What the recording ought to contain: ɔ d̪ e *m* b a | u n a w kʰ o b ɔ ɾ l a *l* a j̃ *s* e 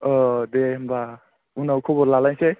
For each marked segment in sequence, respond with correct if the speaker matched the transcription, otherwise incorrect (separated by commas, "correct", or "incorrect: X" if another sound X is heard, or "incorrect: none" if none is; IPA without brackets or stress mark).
correct, correct, correct